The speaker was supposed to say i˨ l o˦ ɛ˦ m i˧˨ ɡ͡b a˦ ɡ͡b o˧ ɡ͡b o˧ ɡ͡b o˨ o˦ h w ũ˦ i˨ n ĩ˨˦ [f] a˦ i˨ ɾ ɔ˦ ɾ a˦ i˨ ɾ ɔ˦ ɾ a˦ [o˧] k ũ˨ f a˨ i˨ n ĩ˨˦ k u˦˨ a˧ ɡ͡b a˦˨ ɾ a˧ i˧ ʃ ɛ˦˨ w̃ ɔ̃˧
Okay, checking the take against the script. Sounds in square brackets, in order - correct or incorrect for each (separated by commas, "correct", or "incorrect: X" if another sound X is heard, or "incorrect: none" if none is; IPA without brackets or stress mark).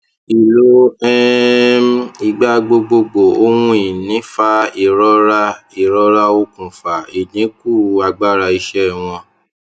correct, correct